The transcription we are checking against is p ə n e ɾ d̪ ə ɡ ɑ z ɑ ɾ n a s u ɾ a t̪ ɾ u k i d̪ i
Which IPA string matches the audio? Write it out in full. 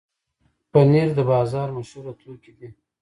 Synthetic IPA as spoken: p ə n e ɾ d̪ ə b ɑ z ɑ ɾ m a ʃ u ɾ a t̪ l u k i d̪ i